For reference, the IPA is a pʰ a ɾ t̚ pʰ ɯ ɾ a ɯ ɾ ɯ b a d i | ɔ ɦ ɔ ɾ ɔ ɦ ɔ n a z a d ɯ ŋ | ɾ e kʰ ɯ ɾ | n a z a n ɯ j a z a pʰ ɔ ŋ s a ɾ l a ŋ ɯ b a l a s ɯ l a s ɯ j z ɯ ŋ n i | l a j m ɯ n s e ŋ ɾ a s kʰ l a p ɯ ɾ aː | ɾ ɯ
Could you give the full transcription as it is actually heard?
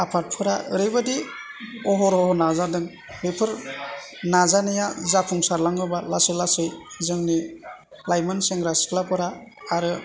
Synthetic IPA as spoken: a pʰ a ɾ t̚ pʰ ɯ ɾ a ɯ ɾ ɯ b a d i | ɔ ɦ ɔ ɾ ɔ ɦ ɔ n a z a d ɯ ŋ | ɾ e pʰ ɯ ɾ | n a z a n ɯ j a z a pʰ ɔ ŋ s a ɾ l a ŋ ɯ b a l a s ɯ l a s ɯ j z ɯ ŋ n i | l a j m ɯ n s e ŋ ɾ a s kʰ l a p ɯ ɾ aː | ɾ ɯ

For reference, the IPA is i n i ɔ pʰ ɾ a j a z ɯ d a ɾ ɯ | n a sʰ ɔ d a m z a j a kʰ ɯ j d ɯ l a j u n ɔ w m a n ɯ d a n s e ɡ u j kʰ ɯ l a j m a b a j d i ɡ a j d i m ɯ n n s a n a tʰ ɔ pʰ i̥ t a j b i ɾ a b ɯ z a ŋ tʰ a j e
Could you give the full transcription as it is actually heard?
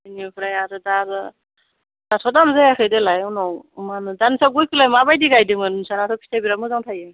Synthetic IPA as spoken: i n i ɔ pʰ ɾ a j a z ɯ d a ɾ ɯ | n a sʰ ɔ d a m z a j a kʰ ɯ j d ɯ l a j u n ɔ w m a n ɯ d a n s a ɡ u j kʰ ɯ l a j m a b a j d i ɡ a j d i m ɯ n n s a n a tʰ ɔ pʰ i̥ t a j b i ɾ a m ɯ z a ŋ tʰ a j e

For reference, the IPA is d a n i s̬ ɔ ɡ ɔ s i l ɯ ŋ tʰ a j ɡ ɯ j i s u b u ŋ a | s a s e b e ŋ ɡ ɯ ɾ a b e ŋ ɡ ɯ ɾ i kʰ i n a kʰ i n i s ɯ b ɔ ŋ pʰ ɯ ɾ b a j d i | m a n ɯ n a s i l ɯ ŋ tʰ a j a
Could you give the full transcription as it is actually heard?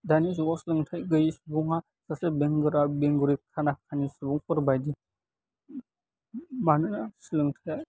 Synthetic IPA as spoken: d a n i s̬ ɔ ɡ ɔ s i l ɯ ŋ tʰ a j ɡ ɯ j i s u b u ŋ a | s a s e b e ŋ ɡ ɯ ɾ a b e ŋ ɡ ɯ ɾ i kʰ a n a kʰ a n i s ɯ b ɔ ŋ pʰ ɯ ɾ b a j d i | m a n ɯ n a s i l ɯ ŋ tʰ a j a

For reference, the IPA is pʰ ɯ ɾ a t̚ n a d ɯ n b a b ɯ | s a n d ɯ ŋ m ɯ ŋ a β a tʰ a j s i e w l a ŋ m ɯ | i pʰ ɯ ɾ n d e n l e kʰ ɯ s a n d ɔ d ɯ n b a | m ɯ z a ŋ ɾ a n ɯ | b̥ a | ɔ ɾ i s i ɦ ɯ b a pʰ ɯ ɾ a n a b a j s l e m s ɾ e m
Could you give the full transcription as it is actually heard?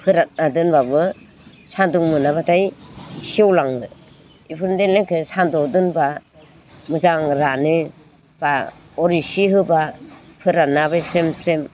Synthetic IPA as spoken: pʰ ɯ ɾ a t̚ n a d ɯ n b a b ɯ | s a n d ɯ ŋ m ɯ n a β a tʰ a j s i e w l a ŋ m ɯ | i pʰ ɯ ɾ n d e n l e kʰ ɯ s a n d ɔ d ɯ n b a | m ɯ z a ŋ ɾ a n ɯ | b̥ a | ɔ ɾ i s i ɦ ɯ b a pʰ ɯ ɾ a n a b a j s ɾ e m s ɾ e m

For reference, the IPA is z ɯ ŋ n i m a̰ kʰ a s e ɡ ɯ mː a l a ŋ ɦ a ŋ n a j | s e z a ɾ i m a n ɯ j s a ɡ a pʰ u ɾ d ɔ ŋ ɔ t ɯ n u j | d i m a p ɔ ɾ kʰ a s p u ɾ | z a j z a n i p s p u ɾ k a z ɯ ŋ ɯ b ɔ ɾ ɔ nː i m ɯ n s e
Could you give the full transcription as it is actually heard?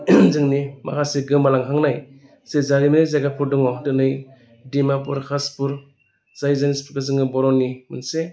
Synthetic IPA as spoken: z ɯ ŋ n i m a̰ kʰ a s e ɡ ɯ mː a l a ŋ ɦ a ŋ n a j | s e z a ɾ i m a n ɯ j z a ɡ a pʰ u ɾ d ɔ ŋ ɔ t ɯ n ɯ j | d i m a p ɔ ɾ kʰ a s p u ɾ | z a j z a n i s p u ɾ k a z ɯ ŋ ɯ b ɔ ɾ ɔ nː i m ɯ n s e

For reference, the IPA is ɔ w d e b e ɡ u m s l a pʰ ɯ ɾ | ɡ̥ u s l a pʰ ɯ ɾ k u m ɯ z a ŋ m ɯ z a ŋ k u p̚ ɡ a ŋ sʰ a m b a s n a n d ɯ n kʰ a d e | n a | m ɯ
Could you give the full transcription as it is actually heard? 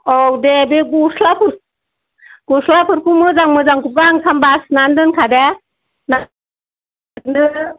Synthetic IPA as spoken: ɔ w d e b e ɡ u s l a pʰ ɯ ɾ | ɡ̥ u s l a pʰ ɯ ɾ k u m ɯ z a ŋ m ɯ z a ŋ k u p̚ ɡ a ŋ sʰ a m b a s n a n d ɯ n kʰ a d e | n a | n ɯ

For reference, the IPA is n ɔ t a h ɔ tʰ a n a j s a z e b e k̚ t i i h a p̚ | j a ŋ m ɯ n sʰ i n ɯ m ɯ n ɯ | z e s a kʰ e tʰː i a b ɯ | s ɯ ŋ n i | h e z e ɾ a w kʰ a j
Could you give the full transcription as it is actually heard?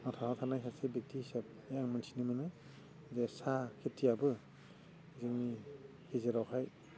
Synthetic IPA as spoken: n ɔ tʰ a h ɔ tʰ a n a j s a s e b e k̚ t i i s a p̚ | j a ŋ m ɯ n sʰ i n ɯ m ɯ n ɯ | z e s a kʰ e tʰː i a b ɯ | z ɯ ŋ n i | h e z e ɾ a w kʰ a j

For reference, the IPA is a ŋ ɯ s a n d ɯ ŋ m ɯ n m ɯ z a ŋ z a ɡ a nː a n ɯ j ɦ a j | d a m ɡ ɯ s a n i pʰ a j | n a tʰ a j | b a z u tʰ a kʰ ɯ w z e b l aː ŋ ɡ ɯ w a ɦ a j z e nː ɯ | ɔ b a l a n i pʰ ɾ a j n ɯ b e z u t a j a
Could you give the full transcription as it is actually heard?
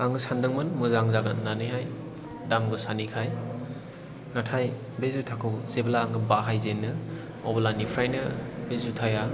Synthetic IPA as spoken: a ŋ ɯ s a n d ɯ ŋ m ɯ n m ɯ z a ŋ z a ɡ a nː a n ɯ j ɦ a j | d a m ɡ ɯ s a n i kʰ a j | n a tʰ a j | b e z u tʰ a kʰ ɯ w z e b l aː ŋ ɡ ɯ b a ɦ a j z e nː ɯ | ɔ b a l a n i pʰ ɾ a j n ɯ b e z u tʰ a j a

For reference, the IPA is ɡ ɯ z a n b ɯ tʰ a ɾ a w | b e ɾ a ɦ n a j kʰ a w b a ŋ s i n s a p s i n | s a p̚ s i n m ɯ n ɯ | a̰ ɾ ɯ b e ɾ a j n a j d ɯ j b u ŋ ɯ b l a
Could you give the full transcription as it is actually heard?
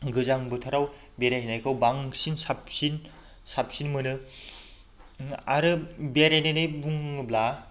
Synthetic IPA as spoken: ɡ ɯ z a ŋ b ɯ tʰ a ɾ a w | b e ɾ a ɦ n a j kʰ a w b a ŋ s i n s a p s i n | s a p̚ s i n m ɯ n ɯ | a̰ ɾ ɯ b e ɾ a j n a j n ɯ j b u ŋ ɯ b l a

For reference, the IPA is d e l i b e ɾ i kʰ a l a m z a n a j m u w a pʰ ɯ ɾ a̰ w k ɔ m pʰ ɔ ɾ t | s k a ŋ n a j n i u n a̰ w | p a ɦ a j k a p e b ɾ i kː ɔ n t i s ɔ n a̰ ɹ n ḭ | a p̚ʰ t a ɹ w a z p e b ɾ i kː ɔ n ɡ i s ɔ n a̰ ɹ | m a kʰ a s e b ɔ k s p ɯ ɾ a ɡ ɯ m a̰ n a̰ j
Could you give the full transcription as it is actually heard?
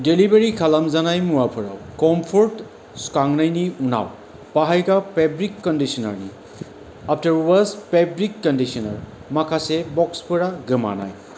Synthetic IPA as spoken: d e l i b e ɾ i kʰ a l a m z a n a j m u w a pʰ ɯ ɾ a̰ w k ɔ m pʰ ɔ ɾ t | s k a ŋ n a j n i u n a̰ w | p a ɦ a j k a p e b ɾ i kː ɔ n d i s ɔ n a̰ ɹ n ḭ | a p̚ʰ t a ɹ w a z p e b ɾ i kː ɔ n d i s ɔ n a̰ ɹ | m a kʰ a s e b ɔ k s p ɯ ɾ a ɡ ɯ m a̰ n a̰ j

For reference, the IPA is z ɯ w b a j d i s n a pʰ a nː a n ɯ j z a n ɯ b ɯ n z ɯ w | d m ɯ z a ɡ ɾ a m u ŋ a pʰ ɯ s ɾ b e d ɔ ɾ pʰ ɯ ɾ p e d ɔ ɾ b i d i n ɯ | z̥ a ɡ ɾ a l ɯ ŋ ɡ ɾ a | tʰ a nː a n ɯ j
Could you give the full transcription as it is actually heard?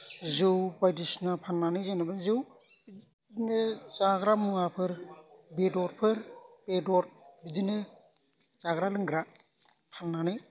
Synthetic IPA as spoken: z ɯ w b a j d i s n a pʰ a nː a n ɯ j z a n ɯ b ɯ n z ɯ w | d n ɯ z a ɡ ɾ a m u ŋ a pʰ ɯ ɾ b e d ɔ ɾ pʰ ɯ ɾ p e d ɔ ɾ b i d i n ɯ | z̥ a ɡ ɾ a l ɯ ŋ ɡ ɾ a | pʰ a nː a n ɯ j

